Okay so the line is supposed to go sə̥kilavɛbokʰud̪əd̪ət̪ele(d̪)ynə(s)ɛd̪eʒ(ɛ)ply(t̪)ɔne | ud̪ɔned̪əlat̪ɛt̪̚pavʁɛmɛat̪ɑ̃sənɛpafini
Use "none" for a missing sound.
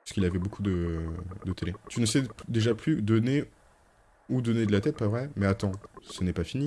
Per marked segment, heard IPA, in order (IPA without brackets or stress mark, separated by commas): t̪, s, a, d̪